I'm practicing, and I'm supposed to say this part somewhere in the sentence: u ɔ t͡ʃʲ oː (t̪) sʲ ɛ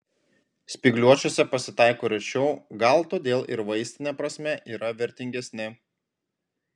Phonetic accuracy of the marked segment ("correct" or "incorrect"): incorrect